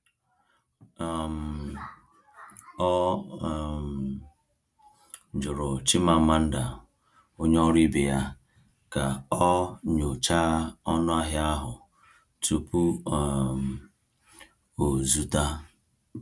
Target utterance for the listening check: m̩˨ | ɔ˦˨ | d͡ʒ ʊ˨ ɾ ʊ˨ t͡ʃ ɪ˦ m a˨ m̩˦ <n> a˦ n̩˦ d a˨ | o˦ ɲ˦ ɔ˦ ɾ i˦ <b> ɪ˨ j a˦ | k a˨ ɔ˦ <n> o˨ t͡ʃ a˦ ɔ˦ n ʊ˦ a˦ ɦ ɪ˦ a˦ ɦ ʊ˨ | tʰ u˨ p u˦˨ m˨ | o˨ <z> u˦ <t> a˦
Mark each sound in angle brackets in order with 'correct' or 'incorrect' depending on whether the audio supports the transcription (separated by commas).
incorrect, correct, incorrect, correct, correct